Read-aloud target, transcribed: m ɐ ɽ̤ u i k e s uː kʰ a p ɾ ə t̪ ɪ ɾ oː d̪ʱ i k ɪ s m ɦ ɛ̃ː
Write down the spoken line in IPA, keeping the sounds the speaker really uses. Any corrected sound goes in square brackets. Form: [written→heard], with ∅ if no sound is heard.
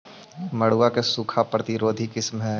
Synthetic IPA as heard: m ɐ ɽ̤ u [i→a] k e s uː kʰ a p ɾ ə t̪ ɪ ɾ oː d̪ʱ i k ɪ s m ɦ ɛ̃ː